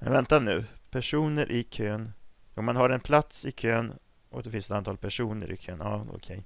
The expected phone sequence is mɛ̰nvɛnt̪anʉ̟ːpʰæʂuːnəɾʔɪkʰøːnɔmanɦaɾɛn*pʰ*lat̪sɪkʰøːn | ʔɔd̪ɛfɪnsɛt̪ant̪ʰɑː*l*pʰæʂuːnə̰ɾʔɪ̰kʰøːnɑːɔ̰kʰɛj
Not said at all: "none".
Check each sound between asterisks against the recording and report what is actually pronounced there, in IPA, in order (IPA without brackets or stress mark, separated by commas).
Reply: pʰ, l